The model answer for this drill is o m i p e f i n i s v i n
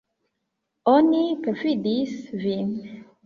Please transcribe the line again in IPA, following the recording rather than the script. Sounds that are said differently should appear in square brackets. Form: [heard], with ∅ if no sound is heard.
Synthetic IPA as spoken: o [n] i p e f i [d] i s v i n